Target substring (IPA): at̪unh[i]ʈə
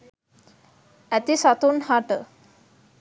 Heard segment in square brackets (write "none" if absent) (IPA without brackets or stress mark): a